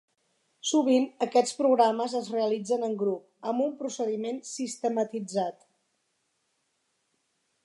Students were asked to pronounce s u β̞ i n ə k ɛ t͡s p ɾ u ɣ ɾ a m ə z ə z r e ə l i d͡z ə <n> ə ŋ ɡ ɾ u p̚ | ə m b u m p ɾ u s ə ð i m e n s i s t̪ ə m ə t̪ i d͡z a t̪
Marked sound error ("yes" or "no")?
no